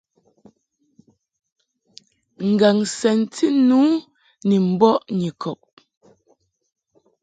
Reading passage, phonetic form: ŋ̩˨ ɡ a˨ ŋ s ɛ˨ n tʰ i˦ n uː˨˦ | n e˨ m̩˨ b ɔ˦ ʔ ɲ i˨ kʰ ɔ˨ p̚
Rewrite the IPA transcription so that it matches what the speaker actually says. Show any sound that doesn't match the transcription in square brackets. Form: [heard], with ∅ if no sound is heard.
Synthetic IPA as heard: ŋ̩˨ ɡ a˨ ŋ s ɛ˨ n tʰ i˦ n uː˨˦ | n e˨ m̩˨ b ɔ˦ ʔ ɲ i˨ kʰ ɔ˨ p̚